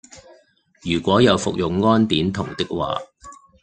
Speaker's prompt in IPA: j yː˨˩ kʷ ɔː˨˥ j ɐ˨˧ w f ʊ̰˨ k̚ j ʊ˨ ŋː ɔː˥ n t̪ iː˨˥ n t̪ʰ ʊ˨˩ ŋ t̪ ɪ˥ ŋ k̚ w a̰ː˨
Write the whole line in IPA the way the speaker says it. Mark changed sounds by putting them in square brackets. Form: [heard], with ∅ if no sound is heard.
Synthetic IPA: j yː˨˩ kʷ ɔː˨˥ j ɐ˨˧ w f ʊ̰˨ k̚ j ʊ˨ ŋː ɔː˥ n t̪ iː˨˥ n t̪ʰ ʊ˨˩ ŋ t̪ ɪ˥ [∅] k̚ w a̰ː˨